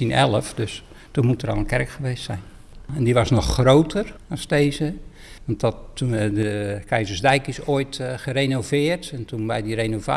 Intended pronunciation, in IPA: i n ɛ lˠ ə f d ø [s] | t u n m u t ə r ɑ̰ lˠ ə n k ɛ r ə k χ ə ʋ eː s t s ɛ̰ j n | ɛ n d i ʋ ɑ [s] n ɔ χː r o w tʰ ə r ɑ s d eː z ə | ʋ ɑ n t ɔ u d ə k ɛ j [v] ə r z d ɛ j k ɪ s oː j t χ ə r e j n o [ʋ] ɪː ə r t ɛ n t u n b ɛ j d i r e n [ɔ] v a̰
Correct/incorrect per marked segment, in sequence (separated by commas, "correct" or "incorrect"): correct, correct, incorrect, incorrect, incorrect